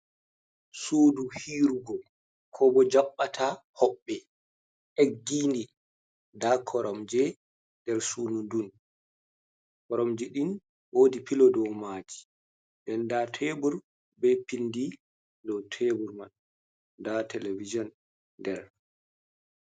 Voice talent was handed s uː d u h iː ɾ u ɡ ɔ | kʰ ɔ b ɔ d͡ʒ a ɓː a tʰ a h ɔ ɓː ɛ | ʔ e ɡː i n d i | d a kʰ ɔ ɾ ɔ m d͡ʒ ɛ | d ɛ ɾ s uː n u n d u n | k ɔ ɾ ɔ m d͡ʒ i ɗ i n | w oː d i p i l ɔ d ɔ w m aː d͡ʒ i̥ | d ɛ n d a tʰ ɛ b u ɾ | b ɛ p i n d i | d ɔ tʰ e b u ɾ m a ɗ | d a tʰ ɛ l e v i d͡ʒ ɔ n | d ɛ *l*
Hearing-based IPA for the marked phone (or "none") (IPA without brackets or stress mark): ɾ